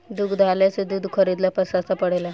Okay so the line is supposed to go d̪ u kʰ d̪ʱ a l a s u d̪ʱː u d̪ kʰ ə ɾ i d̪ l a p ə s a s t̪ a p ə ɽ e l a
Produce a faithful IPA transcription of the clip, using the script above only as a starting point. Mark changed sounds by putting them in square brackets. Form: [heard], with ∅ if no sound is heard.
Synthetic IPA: d̪ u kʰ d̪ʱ a l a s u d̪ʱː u d̪ kʰ ə ɾ i d̪ l a p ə s a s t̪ a p ə ɽ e l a

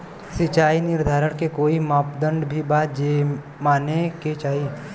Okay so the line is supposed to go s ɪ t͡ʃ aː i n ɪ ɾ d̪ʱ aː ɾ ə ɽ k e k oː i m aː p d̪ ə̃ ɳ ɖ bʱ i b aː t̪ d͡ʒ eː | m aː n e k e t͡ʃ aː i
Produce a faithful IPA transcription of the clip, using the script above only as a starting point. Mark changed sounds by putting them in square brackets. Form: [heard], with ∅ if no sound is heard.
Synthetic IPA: s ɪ t͡ʃ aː i n ɪ ɾ d̪ʱ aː ɾ ə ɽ k e k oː i m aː p d̪ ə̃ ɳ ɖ bʱ i b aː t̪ d͡ʒ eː | m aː n e k e t͡ʃ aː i

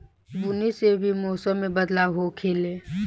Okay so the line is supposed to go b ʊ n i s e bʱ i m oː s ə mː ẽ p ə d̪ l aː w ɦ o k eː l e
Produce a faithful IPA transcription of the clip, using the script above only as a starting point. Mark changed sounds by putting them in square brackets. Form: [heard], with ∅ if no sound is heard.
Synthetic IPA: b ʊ n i s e bʱ i m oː s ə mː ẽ [b] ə d̪ l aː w ɦ o [kʰ] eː l e

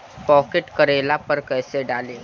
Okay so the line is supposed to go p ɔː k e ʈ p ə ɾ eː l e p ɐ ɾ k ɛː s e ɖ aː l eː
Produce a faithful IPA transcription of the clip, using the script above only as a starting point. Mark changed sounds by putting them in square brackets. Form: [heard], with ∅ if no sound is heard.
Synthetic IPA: p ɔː k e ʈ [k] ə ɾ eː l [a] p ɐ ɾ k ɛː s e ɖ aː l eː

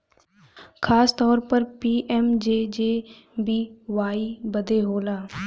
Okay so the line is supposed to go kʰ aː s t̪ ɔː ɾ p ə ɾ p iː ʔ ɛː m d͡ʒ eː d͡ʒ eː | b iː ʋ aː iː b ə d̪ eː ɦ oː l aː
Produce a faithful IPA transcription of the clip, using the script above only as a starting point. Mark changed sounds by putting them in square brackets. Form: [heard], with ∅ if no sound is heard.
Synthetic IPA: kʰ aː s t̪ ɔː ɾ p ə ɾ p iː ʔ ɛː m d͡ʒ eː d͡ʒ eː | b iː ʋ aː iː b ə d̪ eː ɦ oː l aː

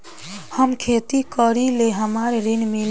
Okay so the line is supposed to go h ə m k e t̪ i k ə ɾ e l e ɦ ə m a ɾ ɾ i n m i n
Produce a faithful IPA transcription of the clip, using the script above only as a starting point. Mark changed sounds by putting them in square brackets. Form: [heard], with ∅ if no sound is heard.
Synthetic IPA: h ə m [kʰ] e t̪ i k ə ɾ [i] l e ɦ ə m a ɾ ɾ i n m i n

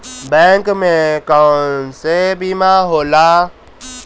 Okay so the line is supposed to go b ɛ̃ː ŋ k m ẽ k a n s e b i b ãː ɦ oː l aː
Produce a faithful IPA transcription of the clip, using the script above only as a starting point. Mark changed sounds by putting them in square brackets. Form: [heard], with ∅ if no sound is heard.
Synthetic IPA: b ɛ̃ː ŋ k m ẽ k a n s e b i [m] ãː ɦ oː l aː

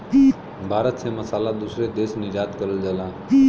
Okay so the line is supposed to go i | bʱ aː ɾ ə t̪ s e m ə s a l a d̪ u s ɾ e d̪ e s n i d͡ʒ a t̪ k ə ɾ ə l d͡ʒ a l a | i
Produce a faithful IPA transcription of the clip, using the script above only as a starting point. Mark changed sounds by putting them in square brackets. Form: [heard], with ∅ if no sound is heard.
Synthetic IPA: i | bʱ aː ɾ ə t̪ s e m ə s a l a d̪ u s ɾ e d̪ e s n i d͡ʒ a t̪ k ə ɾ ə l d͡ʒ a l a | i

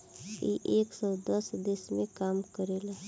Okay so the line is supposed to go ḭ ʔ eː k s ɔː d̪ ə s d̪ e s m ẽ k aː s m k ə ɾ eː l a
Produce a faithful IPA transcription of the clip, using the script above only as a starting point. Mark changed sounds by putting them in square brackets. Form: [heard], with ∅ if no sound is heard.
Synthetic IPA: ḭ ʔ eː k s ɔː d̪ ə s d̪ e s m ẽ k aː [∅] m k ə ɾ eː l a

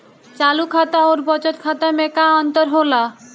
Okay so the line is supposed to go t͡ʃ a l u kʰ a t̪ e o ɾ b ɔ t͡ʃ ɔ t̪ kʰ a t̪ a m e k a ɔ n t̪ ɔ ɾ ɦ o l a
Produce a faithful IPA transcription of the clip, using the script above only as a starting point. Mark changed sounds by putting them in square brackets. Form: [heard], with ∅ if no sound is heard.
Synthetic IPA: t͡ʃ a l u kʰ a t̪ [a] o ɾ b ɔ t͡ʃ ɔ t̪ kʰ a t̪ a m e k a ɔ n t̪ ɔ ɾ ɦ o l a

